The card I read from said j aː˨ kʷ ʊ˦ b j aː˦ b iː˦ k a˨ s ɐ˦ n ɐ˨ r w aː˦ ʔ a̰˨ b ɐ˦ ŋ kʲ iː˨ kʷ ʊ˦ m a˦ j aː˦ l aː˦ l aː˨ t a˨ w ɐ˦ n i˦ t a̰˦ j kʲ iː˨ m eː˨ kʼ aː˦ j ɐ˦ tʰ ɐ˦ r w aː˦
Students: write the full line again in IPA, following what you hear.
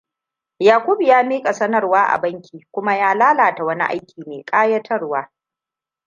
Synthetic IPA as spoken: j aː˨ kʷ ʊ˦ b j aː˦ m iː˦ kʼ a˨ s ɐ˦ n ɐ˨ r w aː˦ ʔ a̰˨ b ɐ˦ ŋ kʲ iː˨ kʷ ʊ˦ m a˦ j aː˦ l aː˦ l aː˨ t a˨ w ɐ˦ n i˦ ʔ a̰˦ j kʲ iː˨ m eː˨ kʼ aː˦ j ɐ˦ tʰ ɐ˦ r w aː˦